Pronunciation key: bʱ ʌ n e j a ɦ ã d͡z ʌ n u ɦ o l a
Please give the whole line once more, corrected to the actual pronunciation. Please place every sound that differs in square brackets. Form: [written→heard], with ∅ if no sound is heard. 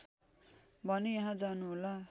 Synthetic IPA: bʱ ʌ n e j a ɦ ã d͡z [ʌ→a] n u ɦ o l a